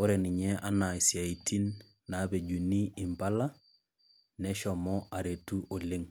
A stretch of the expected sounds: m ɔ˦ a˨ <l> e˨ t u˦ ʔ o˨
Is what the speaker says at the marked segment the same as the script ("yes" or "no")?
no